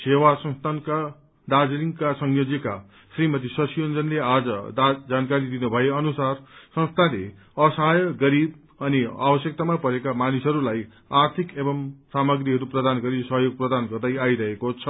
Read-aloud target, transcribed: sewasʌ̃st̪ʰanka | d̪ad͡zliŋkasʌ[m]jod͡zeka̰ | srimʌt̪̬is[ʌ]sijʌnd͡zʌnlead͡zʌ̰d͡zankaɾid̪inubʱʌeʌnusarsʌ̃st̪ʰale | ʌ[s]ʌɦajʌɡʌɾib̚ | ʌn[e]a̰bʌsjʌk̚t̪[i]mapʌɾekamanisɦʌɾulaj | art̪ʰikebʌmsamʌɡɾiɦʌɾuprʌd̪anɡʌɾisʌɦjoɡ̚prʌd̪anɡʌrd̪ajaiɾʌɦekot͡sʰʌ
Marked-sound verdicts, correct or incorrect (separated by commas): incorrect, correct, correct, incorrect, incorrect